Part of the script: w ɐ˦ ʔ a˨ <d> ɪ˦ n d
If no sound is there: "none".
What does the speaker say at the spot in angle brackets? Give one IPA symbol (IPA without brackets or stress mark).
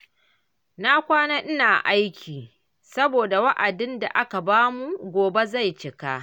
d